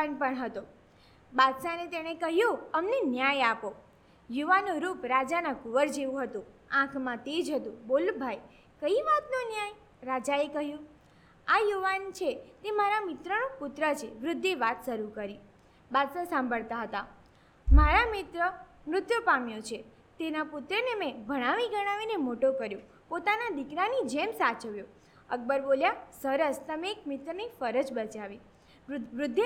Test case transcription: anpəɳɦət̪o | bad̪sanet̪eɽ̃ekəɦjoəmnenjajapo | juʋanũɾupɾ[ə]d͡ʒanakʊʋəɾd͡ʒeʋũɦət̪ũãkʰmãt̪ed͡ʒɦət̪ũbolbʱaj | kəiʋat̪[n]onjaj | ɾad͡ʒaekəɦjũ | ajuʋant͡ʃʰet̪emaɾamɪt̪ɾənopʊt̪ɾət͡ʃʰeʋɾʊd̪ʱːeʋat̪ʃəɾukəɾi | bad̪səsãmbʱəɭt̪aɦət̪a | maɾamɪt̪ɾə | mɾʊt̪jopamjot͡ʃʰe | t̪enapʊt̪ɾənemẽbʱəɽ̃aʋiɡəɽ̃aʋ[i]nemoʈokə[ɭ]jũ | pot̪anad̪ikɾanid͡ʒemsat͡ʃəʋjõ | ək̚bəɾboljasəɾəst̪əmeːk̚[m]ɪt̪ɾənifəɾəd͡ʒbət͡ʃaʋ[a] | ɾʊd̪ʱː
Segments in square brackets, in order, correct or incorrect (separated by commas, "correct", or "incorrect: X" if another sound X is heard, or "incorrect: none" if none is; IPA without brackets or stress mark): incorrect: a, correct, correct, incorrect: ɾ, correct, incorrect: i